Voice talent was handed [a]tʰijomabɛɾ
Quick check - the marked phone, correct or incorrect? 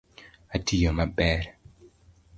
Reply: correct